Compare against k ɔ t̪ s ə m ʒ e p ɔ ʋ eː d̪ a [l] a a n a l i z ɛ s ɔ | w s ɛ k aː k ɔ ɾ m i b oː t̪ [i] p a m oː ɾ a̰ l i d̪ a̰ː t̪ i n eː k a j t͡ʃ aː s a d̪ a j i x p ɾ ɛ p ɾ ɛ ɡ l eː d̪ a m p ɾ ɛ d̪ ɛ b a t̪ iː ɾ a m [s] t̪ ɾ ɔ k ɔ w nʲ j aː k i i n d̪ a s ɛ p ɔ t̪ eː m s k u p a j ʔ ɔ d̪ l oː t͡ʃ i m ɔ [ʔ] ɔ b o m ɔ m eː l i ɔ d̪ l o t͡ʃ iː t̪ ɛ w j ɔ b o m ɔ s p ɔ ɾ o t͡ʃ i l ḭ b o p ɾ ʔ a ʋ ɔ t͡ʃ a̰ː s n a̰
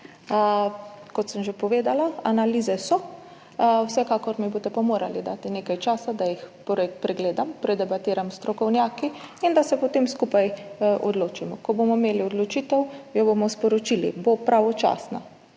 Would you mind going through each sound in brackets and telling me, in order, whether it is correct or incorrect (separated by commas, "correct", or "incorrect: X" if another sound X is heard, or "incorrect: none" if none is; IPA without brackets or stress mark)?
correct, incorrect: ɛ, correct, incorrect: k